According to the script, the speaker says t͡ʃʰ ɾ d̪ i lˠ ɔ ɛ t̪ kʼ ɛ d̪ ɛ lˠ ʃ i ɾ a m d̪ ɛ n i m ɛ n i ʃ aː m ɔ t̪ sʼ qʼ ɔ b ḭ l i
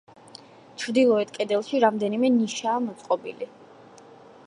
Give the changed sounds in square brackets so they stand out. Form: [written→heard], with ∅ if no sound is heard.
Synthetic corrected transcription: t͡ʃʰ ɾ d̪ i lˠ ɔ ɛ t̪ kʼ ɛ d̪ ɛ lˠ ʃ i ɾ a m d̪ ɛ n i m ɛ n i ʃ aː m ɔ t̪ sʼ qʼ ɔ b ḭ l i

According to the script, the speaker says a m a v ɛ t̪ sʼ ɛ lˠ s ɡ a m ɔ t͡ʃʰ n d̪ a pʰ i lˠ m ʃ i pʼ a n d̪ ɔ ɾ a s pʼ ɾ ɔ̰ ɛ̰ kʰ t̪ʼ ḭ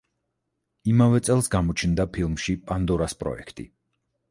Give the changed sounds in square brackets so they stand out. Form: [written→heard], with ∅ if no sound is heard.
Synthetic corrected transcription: [a→i] m a v ɛ t̪ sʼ ɛ lˠ s ɡ a m ɔ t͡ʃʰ n d̪ a pʰ i lˠ m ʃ i pʼ a n d̪ ɔ ɾ a s pʼ ɾ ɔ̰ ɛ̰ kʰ t̪ʼ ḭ

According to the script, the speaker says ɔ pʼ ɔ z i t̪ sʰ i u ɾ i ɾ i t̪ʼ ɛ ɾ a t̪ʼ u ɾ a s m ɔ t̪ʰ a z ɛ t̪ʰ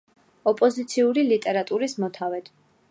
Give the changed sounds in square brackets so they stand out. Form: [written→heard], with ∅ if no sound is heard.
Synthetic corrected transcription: ɔ pʼ ɔ z i t̪ sʰ i u ɾ i [ɾ→l] i t̪ʼ ɛ ɾ a t̪ʼ u ɾ [a→i] s m ɔ t̪ʰ a [z→v] ɛ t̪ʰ

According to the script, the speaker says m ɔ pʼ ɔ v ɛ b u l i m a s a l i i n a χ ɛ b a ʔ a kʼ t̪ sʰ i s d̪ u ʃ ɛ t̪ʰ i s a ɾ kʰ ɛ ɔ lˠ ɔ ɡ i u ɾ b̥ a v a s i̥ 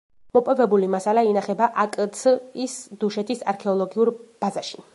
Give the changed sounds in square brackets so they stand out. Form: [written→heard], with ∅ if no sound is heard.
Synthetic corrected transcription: m ɔ pʼ ɔ v ɛ b u l i m a s a l [i→a] i n a χ ɛ b a ʔ a kʼ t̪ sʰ i s d̪ u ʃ ɛ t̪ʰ i s a ɾ kʰ ɛ ɔ lˠ ɔ ɡ i u ɾ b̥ a [v→z] a [s→ʃ] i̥

